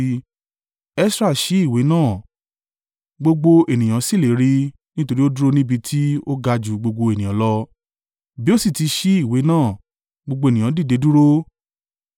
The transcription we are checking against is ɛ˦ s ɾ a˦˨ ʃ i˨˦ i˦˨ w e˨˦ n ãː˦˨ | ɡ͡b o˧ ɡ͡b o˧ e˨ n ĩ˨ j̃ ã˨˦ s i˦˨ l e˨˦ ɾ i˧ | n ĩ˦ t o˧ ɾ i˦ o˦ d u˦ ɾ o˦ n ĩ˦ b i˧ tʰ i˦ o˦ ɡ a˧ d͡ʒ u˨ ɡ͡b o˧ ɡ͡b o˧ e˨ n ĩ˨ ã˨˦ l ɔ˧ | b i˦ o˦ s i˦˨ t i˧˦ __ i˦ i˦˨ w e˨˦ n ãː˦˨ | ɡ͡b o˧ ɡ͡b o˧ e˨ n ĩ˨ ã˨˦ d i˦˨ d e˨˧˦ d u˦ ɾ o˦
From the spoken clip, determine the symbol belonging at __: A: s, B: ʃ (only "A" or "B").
B